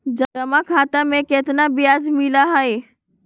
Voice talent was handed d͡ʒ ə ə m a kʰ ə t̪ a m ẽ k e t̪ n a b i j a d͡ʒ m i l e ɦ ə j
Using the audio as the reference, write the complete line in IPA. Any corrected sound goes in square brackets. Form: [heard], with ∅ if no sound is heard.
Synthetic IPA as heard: d͡ʒ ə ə m a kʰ [a] t̪ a m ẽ k e t̪ n a b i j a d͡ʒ m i l [a] ɦ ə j